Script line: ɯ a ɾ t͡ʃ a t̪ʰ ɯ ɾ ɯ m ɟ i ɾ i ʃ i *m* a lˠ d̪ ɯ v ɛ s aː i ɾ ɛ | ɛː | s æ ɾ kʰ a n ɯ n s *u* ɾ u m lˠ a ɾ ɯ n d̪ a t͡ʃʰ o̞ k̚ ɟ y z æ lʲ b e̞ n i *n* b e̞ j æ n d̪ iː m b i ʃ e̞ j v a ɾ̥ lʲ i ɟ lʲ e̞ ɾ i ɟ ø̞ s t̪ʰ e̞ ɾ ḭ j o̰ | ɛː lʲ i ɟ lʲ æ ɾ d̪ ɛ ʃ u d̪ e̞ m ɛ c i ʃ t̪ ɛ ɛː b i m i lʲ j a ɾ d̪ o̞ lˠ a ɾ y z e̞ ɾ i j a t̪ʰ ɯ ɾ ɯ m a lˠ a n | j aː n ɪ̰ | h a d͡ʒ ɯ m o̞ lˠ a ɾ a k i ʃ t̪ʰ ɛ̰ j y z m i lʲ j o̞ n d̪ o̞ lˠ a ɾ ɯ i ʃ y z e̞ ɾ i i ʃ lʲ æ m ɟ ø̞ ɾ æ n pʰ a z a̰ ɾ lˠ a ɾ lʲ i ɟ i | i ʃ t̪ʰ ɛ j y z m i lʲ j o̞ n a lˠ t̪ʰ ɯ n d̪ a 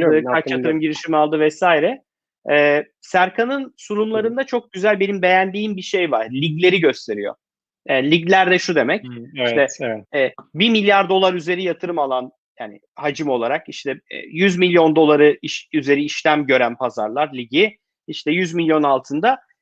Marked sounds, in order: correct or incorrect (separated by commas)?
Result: correct, correct, incorrect